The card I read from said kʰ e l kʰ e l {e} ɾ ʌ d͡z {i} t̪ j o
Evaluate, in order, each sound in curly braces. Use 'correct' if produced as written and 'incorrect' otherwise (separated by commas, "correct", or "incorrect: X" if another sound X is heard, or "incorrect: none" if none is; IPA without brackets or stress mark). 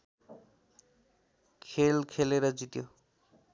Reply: correct, correct